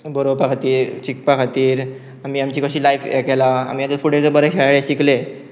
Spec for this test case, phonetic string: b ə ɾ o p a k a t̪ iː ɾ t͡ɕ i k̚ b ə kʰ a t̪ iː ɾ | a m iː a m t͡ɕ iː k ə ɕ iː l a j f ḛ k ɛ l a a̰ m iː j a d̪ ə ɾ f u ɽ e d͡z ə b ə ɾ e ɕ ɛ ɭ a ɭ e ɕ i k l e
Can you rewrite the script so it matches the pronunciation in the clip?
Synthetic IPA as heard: b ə ɾ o p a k a t̪ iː ɾ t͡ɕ i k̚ p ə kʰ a t̪ iː ɾ | a m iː a m t͡ɕ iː k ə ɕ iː l a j f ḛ k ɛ l a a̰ m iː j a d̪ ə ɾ f u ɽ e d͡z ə b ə ɾ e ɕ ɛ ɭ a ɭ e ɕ i k l e